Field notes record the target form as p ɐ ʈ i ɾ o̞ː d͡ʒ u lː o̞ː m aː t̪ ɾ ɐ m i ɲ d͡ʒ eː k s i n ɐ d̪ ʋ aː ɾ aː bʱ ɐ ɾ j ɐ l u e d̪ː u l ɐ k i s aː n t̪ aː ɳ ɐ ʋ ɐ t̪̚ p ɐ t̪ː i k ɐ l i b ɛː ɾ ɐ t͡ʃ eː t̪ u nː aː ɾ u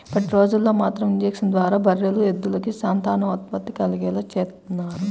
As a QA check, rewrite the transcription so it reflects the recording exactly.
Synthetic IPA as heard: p ɐ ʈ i ɾ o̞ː d͡ʒ u lː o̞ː m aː t̪ ɾ ɐ m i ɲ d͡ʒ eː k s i n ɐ d̪ ʋ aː ɾ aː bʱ ɐ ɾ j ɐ l u e d̪ː u l ɐ k i s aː n t̪ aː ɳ ɐ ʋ ɐ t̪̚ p ɐ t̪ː i k ɐ l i ɡ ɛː l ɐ t͡ʃ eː t̪ u nː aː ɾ u